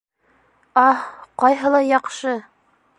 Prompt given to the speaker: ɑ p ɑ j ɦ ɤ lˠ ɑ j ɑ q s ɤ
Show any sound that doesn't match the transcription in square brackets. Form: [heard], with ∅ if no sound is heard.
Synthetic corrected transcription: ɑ [q] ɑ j ɦ ɤ lˠ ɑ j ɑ q [ʃ] ɤ